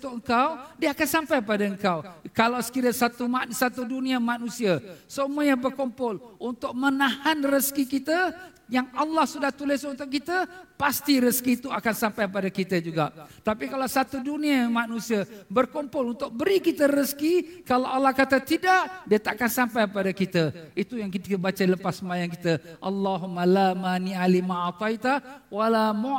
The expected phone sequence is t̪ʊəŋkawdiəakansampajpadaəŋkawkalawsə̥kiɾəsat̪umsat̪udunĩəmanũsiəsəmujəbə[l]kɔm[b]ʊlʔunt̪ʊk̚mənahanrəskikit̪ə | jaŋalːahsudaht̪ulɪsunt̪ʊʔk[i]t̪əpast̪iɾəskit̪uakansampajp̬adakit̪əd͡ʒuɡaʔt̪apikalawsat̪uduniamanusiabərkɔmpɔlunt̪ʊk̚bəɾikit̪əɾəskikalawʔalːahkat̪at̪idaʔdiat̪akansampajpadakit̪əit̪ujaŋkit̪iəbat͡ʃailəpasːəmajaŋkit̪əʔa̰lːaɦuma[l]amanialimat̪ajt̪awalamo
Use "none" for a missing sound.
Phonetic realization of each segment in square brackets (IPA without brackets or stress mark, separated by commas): r, p, i, l